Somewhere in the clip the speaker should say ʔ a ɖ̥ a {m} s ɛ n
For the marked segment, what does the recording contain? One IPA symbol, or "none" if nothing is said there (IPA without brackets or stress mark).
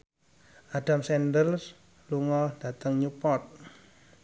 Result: m